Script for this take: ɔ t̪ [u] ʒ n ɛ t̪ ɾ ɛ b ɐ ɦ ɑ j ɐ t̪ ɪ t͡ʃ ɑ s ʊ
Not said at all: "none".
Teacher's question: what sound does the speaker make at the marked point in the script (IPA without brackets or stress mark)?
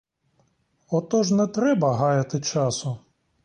ɔ